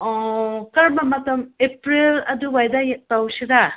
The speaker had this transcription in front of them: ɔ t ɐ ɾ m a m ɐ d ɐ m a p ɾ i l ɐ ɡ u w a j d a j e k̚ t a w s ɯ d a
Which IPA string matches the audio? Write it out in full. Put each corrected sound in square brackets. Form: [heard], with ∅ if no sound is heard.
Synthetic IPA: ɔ [k] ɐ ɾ m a m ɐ [t] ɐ m [e] p ɾ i l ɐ [d] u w a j d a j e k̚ t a w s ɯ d a